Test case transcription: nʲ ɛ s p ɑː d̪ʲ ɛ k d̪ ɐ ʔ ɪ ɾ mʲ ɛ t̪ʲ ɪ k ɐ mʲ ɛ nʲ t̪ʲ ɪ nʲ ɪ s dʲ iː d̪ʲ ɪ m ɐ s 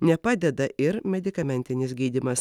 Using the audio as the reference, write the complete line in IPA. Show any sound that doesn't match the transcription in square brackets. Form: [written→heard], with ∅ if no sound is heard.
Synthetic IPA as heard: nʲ ɛ [s→∅] p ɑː d̪ʲ ɛ [k→∅] d̪ ɐ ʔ ɪ ɾ mʲ ɛ [t̪ʲ→d̪ʲ] ɪ k ɐ mʲ ɛ nʲ t̪ʲ ɪ nʲ ɪ s [dʲ→ɡʲ] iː d̪ʲ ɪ m ɐ s